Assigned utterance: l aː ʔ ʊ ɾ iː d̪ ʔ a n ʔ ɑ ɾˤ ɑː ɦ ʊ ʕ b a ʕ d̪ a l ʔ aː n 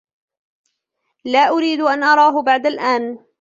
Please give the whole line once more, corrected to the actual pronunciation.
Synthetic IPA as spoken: l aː ʔ ʊ ɾ iː d̪ ʔ a n ʔ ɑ ɾˤ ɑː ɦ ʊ b a ʕ d̪ a l ʔ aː n